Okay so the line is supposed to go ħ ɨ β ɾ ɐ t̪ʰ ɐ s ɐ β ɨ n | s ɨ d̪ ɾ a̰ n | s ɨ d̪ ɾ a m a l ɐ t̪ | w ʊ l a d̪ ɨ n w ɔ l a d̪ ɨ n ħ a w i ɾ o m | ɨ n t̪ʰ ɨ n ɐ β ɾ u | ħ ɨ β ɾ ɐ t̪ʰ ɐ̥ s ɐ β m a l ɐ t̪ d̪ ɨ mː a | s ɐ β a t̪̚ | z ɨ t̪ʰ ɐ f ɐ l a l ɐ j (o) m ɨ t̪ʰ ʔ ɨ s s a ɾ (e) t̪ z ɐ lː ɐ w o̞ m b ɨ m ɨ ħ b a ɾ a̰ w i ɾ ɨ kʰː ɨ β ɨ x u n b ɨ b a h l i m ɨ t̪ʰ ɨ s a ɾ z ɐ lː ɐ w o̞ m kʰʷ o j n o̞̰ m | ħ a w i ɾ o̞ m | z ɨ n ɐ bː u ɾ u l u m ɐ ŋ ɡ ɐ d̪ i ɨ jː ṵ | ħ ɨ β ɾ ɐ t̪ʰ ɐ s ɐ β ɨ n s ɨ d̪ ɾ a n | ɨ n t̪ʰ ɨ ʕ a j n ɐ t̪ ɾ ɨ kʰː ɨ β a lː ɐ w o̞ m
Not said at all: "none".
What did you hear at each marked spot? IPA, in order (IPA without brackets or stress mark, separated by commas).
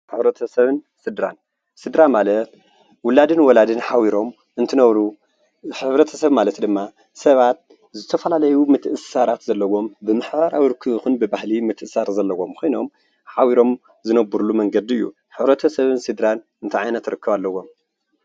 u, a